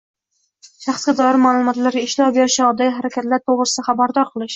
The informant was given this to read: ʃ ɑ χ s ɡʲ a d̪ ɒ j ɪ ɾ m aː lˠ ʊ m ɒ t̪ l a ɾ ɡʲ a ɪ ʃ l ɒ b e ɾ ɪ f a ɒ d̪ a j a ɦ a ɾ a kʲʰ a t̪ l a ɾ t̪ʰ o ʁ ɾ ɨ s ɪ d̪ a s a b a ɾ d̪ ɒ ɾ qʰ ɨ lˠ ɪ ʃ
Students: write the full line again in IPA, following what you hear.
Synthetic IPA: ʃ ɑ χ s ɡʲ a d̪ ɒ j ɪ ɾ m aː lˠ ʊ m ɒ t̪ l a ɾ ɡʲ a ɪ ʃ l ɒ b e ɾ ɪ ʃ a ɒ d̪ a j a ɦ a ɾ a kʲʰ a t̪ l a ɾ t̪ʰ o ʁ ɾ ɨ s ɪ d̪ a χ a b a ɾ d̪ ɒ ɾ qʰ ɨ lˠ ɪ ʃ